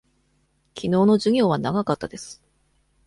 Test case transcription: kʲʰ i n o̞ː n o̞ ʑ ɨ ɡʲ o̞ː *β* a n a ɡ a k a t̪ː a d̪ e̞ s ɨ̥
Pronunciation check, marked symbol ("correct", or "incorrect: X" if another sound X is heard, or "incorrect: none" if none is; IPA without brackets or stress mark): correct